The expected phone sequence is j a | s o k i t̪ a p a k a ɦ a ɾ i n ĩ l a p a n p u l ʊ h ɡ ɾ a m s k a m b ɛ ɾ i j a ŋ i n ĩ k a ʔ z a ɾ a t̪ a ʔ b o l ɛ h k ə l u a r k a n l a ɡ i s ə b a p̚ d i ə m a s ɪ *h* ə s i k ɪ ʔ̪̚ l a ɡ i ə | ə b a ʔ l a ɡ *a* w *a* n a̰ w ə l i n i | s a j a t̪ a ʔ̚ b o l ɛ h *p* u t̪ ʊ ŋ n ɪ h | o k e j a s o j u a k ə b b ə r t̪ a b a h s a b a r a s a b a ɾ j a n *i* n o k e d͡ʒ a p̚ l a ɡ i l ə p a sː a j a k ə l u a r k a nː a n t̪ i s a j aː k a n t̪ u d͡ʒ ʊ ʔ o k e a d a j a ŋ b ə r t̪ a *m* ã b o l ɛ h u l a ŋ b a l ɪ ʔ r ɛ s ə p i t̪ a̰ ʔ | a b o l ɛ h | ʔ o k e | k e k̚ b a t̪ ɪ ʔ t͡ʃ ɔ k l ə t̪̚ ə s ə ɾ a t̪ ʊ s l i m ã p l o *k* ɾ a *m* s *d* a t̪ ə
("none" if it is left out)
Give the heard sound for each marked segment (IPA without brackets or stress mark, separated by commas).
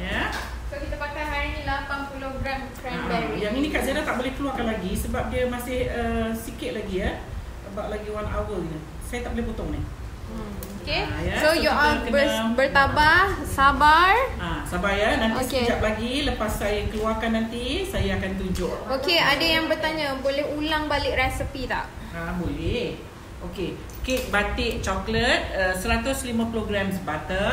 h, i, a, p, a, ɲ, ɡ, m, b